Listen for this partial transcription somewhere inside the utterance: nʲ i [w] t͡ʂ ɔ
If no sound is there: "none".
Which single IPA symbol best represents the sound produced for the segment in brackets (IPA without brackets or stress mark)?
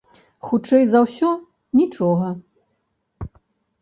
none